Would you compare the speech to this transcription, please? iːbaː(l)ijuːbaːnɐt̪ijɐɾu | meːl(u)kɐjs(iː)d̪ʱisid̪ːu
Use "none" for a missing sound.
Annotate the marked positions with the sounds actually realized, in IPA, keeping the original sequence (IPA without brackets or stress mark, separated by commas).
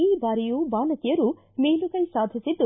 ɾ, u, aː